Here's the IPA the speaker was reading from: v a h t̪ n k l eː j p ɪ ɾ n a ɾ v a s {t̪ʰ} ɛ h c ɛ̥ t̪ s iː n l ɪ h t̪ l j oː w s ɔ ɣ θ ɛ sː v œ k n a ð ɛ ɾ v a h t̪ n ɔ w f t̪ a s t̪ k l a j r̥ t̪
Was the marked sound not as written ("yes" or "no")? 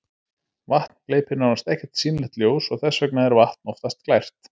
yes